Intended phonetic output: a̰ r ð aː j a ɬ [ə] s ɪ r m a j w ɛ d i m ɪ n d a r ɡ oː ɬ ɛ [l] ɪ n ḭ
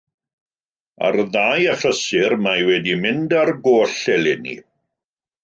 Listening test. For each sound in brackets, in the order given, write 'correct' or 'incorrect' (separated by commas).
correct, correct